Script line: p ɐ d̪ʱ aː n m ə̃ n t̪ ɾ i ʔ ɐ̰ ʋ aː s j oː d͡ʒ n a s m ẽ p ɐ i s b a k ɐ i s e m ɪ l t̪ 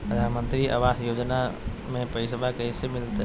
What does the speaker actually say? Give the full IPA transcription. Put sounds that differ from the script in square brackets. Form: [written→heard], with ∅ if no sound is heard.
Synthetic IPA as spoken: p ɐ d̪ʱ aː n m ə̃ n t̪ ɾ i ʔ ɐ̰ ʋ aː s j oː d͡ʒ n a [s→∅] m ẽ p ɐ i s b a k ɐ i s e m ɪ l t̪